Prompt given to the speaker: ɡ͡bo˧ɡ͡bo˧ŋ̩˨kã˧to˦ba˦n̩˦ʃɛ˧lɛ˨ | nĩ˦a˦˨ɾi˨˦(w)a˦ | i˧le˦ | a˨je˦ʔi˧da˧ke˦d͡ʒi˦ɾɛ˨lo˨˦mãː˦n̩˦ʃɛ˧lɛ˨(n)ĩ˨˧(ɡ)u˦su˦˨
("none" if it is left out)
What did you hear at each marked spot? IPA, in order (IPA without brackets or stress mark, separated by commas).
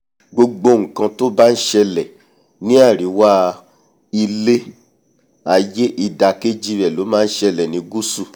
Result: w, n, ɡ